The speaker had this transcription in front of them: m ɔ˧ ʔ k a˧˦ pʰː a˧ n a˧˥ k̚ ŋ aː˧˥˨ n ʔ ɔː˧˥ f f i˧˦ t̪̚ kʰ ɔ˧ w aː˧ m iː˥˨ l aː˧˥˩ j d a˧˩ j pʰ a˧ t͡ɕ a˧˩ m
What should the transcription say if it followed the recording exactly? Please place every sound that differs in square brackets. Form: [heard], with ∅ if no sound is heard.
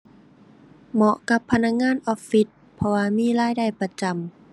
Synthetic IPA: m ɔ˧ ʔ k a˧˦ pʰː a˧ n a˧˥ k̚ ŋ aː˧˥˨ n ʔ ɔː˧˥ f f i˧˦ t̪̚ [pʰ] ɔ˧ w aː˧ m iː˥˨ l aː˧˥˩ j d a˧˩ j [p] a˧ t͡ɕ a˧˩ m